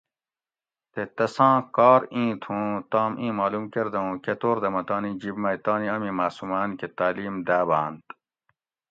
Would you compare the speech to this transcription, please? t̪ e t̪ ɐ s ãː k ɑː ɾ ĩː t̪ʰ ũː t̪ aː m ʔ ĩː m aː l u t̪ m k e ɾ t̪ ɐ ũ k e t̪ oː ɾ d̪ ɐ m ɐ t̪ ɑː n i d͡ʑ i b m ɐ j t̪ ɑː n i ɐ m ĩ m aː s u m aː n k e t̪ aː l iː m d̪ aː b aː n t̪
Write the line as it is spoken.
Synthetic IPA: t̪ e t̪ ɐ s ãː k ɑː ɾ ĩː t̪ʰ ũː t̪ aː m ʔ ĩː m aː l u m k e ɾ d̪ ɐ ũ k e t̪ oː ɾ d̪ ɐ m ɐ t̪ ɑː n i d͡ʑ i b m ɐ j t̪ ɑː n i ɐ m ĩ m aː s u m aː n k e t̪ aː l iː m d̪ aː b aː n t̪